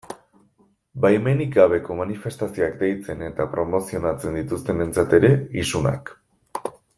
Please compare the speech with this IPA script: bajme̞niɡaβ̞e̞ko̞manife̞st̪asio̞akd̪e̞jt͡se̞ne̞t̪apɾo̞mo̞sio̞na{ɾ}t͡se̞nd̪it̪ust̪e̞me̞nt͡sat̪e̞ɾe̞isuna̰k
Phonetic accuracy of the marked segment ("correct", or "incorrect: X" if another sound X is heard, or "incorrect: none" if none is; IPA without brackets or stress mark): incorrect: none